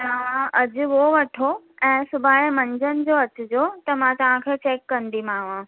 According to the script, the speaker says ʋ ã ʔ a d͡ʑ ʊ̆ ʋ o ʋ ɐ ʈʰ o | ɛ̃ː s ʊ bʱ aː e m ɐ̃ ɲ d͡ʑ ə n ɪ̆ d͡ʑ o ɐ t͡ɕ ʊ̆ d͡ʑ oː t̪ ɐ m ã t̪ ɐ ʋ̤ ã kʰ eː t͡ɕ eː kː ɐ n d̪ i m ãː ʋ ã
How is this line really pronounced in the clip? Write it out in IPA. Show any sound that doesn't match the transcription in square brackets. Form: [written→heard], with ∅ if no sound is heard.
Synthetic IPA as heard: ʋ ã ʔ [a→ɐ] d͡ʑ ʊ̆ ʋ o ʋ ɐ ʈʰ o | ɛ̃ː s ʊ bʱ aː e m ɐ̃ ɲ d͡ʑ ə n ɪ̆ d͡ʑ o ɐ t͡ɕ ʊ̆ d͡ʑ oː t̪ ɐ m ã t̪ ɐ ʋ̤ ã kʰ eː t͡ɕ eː kː ɐ n d̪ i m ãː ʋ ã